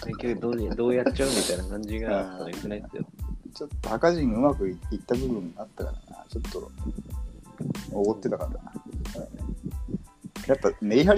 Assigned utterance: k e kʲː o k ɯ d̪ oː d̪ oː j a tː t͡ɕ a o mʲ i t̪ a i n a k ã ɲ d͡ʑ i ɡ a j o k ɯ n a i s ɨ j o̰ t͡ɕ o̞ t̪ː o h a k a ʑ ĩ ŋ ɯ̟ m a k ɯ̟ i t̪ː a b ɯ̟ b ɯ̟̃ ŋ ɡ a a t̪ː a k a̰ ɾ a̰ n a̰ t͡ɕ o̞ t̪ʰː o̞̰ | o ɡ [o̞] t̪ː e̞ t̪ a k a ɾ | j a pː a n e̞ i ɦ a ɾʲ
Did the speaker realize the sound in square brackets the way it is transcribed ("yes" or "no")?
yes